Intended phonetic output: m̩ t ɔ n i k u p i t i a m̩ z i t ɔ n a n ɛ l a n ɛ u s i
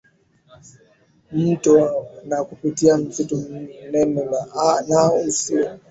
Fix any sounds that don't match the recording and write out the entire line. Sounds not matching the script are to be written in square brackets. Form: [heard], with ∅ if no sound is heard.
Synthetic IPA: m̩ t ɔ n [a] k u p i t i a m̩ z i t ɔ n [ɛ] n ɛ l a n [a] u s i